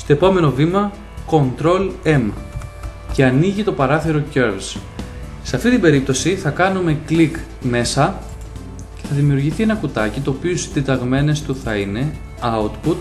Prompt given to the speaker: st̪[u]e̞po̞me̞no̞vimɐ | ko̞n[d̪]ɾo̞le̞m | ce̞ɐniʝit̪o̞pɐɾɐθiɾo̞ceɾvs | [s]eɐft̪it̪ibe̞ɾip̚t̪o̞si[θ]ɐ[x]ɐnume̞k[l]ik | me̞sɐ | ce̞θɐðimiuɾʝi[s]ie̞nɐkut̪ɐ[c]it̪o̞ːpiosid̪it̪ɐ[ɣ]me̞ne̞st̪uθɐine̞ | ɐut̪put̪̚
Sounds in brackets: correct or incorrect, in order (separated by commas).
incorrect, incorrect, correct, correct, incorrect, correct, incorrect, correct, correct